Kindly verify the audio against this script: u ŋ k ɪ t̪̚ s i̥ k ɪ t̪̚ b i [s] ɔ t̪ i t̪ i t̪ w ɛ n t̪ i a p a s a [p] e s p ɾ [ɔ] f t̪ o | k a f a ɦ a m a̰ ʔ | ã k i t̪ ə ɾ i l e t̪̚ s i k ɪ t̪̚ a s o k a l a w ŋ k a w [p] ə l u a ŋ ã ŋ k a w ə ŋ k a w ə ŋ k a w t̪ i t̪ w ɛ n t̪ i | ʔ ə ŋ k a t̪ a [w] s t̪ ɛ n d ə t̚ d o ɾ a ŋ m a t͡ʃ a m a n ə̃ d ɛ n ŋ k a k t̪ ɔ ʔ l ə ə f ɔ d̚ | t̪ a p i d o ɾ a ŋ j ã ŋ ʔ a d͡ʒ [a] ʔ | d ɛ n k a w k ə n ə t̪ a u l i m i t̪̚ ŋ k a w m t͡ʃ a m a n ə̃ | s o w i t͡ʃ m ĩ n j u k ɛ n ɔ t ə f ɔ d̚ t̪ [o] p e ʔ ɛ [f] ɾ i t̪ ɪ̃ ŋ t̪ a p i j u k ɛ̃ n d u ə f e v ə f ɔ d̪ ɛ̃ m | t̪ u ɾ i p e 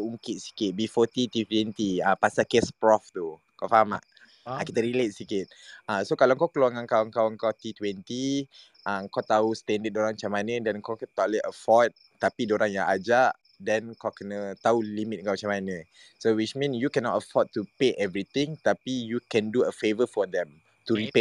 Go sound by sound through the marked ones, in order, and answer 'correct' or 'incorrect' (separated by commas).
incorrect, incorrect, correct, incorrect, incorrect, correct, incorrect, incorrect